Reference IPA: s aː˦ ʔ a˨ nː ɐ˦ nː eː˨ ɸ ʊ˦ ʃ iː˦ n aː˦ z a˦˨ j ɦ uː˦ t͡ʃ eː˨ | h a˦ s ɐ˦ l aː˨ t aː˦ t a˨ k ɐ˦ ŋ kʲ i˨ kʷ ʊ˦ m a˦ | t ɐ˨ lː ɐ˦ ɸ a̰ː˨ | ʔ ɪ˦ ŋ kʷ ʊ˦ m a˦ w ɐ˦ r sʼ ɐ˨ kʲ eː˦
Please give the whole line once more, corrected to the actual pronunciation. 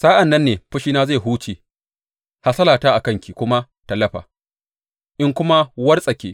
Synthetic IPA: s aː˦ ʔ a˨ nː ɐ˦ nː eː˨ ɸ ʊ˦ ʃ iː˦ n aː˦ z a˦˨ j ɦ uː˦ t͡ʃ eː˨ | h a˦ s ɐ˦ l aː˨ t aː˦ ʔ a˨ k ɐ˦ ŋ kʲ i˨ kʷ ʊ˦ m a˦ | t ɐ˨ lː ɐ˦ ɸ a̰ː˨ | ʔ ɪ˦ ŋ kʷ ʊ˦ m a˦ w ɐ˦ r sʼ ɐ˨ kʲ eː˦